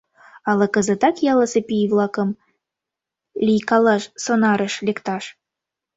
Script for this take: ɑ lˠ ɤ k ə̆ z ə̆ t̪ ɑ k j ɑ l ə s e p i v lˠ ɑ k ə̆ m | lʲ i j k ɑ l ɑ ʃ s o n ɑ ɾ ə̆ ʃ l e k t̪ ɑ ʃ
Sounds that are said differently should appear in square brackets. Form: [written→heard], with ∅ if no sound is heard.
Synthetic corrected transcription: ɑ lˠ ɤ k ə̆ z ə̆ t̪ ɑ k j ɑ l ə s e p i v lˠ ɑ k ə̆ m | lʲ i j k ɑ l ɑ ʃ s o n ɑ ɾ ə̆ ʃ l e k t̪ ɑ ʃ